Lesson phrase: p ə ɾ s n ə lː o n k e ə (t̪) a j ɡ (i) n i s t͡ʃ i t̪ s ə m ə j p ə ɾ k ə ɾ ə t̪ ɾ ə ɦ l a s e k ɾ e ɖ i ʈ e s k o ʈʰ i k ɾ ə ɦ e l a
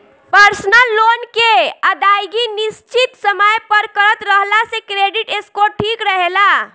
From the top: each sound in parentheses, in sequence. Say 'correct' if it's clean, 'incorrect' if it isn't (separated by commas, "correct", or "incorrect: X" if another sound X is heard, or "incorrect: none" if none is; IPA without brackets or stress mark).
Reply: incorrect: d̪, correct